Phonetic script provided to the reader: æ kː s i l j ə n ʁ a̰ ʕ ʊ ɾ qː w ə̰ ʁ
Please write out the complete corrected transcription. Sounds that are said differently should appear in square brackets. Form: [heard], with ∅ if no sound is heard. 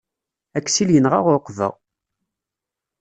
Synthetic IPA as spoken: æ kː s i l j ə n ʁ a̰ [ʁ] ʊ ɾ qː [v] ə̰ ʁ

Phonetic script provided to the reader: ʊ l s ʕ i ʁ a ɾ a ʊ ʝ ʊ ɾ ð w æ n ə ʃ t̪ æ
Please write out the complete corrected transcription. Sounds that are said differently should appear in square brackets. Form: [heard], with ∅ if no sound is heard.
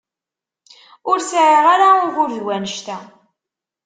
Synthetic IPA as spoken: ʊ [ɾ] s ʕ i ʁ a ɾ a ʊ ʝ ʊ ɾ ð w æ n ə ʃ t̪ æ

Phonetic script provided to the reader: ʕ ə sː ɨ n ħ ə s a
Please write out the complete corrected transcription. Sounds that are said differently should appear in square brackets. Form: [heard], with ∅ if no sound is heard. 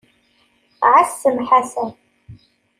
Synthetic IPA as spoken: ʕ [a] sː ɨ [m] ħ [a] s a

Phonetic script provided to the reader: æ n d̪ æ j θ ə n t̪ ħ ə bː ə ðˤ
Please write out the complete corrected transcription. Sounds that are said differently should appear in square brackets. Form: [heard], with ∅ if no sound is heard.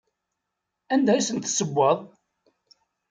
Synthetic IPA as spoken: æ n d̪ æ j [s] ə n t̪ [s] ə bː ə ðˤ

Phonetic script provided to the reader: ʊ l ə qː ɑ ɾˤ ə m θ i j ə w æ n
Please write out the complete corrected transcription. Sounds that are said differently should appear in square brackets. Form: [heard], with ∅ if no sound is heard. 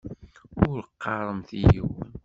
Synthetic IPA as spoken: ʊ [ɾ] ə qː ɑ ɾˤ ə m θ i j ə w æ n

